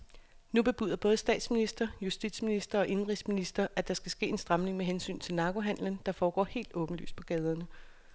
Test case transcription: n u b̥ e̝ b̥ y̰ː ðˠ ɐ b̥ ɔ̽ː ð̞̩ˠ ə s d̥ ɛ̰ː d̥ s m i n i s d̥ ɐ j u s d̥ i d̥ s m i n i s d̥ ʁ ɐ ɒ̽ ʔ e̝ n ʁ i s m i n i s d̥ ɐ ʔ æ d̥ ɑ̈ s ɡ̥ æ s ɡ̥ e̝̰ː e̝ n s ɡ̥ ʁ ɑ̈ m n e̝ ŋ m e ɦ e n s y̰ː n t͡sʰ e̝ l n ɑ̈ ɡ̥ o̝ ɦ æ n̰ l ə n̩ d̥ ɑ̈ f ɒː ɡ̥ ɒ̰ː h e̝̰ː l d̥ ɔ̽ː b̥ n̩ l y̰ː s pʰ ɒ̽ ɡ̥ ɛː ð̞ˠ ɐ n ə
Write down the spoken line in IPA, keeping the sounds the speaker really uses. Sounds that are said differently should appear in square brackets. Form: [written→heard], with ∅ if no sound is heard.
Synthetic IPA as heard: n u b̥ e̝ b̥ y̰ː ðˠ ɐ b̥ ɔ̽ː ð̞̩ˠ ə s d̥ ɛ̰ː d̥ s m i n i s d̥ ɐ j u s d̥ i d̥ s m i n i s d̥ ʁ ɐ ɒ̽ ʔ e̝ n ʁ i s m i n i s d̥ ɐ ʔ æ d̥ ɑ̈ s ɡ̥ æ s ɡ̥ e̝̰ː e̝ n s [ɡ̥→d̥] ʁ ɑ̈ m n e̝ ŋ m e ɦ e n s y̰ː n t͡sʰ e̝ l n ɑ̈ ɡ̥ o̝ ɦ æ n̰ l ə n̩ d̥ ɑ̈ f ɒː ɡ̥ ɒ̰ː h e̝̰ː l d̥ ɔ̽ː b̥ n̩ l y̰ː s pʰ ɒ̽ ɡ̥ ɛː ð̞ˠ ɐ n ə